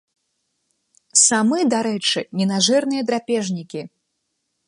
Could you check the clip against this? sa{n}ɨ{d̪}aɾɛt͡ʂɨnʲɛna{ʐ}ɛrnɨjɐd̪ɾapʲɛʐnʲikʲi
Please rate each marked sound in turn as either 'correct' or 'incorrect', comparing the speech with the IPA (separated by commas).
incorrect, correct, correct